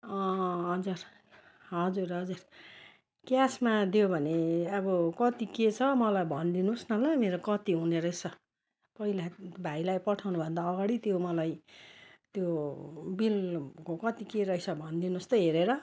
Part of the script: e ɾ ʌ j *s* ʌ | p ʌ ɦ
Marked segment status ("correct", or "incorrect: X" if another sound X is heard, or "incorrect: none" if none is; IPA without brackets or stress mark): correct